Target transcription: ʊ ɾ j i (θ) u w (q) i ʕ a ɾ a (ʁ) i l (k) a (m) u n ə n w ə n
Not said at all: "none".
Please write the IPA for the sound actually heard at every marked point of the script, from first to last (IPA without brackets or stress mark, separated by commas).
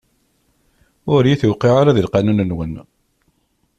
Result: θ, q, ð, q, n